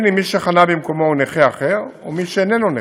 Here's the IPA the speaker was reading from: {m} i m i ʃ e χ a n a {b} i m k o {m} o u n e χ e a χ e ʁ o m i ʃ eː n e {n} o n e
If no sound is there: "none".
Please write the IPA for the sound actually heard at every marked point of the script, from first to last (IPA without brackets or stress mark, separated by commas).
n, b, m, n